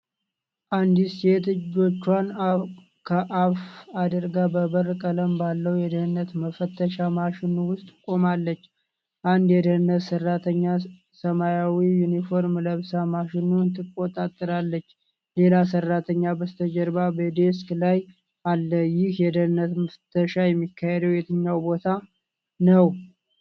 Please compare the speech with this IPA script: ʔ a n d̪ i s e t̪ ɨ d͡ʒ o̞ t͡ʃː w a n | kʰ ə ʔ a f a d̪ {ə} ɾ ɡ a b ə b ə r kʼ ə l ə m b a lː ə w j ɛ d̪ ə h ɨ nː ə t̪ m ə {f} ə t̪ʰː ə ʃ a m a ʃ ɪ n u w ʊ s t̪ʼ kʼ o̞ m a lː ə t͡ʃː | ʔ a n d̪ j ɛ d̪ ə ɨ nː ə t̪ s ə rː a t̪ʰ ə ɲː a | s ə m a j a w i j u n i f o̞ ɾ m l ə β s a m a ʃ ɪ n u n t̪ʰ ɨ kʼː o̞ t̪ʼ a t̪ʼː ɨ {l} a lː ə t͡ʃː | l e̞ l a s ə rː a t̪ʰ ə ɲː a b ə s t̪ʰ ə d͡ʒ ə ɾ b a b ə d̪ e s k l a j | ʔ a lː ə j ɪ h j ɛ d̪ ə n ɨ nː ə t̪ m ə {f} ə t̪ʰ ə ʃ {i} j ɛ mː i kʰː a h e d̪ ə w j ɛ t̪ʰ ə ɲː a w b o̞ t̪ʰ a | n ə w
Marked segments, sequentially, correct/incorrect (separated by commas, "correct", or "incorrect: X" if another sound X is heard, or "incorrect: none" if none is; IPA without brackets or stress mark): correct, correct, incorrect: ɾ, correct, incorrect: a